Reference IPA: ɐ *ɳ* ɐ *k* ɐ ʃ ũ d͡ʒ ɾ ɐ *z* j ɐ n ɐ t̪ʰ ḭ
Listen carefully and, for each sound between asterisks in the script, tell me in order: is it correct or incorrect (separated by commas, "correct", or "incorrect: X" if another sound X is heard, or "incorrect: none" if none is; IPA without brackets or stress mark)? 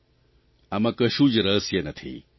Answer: incorrect: m, correct, incorrect: s